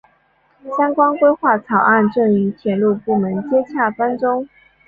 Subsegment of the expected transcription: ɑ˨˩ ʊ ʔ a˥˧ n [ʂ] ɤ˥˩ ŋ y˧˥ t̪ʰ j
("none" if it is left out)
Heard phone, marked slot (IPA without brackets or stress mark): ʈ͡ʂ